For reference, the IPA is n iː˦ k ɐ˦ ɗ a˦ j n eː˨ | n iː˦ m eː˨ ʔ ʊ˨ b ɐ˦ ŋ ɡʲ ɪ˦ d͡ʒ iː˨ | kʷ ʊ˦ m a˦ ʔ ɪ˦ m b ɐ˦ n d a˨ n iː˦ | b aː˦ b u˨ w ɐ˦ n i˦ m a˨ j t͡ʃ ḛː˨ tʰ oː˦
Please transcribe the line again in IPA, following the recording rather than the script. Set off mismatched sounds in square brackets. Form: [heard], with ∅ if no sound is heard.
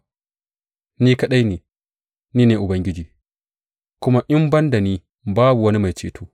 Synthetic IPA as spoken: n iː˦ k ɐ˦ ɗ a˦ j n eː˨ | n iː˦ [n] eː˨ ʔ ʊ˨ b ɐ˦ ŋ ɡʲ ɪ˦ d͡ʒ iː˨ | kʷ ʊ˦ m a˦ ʔ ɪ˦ m b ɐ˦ n d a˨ n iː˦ | b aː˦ b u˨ w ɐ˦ n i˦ m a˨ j t͡ʃ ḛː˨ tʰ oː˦

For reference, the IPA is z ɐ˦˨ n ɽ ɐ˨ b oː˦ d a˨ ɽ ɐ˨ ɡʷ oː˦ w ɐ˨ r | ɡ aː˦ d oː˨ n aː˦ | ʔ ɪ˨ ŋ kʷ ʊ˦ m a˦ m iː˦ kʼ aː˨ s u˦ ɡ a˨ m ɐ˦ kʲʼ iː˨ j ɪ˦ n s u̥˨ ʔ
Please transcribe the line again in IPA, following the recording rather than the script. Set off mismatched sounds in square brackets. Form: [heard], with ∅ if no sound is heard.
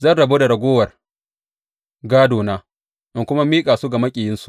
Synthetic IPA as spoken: z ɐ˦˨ n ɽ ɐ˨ b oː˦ d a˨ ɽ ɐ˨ ɡʷ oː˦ w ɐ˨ r | ɡ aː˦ d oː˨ n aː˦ | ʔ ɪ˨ ŋ kʷ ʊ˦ m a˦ m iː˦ kʼ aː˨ s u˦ ɡ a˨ m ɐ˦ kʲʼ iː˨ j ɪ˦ n s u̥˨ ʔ

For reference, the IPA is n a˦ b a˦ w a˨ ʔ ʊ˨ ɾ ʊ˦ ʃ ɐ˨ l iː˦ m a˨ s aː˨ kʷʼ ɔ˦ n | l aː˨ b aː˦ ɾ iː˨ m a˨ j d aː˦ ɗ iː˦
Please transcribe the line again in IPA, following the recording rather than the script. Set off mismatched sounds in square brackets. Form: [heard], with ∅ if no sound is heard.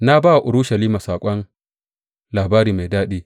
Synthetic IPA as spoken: n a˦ b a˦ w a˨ ʔ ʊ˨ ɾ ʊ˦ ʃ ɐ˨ l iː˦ m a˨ s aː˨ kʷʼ ɔ˦ n | l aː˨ b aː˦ ɾ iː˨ m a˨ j d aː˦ ɗ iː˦

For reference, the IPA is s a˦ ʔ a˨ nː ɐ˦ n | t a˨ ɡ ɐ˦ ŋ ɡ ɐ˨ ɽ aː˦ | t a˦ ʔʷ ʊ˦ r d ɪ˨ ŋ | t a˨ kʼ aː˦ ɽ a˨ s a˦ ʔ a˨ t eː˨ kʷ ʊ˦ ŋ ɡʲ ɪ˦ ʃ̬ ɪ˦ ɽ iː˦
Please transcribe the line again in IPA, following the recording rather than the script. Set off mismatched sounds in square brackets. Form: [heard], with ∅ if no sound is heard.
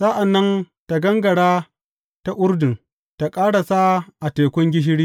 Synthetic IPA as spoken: s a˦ ʔ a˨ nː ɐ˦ n | t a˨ ɡ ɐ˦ ŋ ɡ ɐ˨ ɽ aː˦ | t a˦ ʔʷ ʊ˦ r d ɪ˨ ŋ | t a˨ kʼ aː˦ ɽ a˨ s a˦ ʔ a˨ t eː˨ kʷ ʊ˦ ŋ ɡʲ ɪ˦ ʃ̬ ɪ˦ ɽ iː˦

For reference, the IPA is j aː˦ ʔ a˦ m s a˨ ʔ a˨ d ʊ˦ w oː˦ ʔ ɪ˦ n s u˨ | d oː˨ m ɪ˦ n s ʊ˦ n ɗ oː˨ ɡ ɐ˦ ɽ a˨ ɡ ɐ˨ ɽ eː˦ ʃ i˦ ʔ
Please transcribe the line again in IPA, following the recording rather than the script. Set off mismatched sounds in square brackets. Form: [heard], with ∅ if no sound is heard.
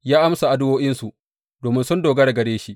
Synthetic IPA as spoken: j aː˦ ʔ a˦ m s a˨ ʔ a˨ d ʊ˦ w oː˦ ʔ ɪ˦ n s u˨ | d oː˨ m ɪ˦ n s ʊ˦ n [d] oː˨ ɡ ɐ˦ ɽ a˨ ɡ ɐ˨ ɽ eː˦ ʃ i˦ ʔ

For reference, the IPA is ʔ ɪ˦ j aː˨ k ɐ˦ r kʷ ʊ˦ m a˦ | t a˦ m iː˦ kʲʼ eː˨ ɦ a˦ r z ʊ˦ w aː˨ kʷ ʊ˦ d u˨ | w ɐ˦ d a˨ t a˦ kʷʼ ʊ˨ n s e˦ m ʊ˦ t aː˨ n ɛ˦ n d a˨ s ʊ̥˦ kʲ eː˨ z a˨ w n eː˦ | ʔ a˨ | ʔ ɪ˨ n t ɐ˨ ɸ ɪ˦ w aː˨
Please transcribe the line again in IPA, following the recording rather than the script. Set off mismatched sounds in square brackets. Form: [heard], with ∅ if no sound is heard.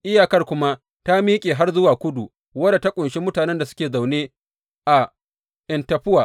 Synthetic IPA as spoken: ʔ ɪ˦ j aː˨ k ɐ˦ r kʷ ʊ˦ m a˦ | t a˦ m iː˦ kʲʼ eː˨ ɦ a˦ r z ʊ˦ w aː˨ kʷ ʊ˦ d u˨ | w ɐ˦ d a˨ t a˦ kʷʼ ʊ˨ n [ʃ] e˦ m ʊ˦ t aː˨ n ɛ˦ n d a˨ s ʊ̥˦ kʲ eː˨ z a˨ w n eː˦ | ʔ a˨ | ʔ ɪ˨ n t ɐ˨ ɸ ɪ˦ w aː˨

